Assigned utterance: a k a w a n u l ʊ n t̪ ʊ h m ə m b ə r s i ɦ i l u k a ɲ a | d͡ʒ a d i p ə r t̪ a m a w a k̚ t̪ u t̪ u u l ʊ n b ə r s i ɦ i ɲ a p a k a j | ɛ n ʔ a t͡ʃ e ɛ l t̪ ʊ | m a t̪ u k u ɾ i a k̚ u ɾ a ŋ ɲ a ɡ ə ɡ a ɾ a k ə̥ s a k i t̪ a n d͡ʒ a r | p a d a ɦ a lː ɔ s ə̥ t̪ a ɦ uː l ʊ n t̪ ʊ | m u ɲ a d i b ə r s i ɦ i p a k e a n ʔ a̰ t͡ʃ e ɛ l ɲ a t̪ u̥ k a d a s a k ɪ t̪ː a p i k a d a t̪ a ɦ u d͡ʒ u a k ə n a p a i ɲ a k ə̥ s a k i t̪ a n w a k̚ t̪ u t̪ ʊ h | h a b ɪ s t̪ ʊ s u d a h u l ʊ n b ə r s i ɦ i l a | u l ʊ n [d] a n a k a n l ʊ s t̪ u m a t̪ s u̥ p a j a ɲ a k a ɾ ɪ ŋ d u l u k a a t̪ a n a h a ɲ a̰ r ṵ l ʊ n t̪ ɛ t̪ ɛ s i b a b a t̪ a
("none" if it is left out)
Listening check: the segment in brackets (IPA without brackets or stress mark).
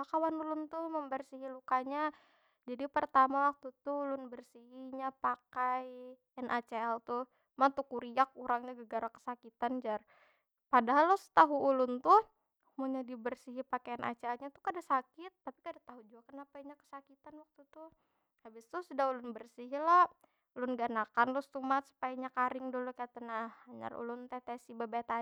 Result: ɡ